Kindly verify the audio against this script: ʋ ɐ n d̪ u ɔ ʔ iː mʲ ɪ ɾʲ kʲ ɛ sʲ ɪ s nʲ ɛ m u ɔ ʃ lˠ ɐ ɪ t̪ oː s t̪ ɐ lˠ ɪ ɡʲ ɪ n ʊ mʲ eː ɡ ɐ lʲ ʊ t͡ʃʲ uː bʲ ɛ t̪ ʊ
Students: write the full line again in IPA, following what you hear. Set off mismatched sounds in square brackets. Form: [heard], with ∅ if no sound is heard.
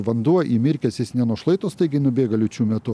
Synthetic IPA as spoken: ʋ ɐ n d̪ u ɔ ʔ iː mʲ ɪ ɾʲ kʲ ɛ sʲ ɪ s nʲ ɛ [n] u ɔ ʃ lˠ ɐ ɪ t̪ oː s t̪ ɐ [∅] ɪ ɡʲ ɪ n ʊ [bʲ] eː ɡ ɐ lʲ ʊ t͡ʃʲ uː [mʲ] ɛ t̪ ʊ